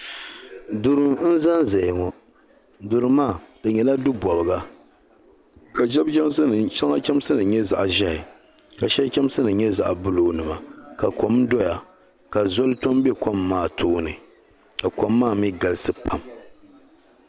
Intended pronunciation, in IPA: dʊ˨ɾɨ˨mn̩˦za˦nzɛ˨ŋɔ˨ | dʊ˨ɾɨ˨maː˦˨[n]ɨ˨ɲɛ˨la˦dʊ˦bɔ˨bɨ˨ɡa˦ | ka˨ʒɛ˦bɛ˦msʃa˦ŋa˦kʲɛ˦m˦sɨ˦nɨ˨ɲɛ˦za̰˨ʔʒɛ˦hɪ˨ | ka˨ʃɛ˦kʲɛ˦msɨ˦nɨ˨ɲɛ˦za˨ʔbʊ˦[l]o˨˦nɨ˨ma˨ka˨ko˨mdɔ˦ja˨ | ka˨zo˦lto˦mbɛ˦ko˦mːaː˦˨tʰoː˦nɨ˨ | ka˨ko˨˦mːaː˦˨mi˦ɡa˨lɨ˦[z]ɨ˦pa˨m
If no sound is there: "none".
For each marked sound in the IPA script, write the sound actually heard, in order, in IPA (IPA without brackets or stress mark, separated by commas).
d, l, s